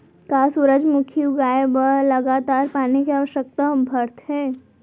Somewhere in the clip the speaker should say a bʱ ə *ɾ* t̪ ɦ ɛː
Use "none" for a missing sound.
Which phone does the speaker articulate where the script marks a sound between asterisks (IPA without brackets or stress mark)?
ɾ